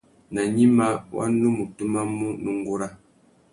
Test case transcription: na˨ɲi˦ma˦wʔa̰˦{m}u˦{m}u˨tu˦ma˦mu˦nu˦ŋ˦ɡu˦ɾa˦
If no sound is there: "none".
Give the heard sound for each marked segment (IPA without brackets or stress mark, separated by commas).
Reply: n, m